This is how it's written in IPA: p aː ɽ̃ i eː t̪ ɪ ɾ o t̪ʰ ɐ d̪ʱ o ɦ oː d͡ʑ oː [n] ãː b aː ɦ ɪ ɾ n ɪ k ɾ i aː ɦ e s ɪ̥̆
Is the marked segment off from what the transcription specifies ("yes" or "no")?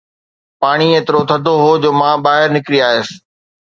yes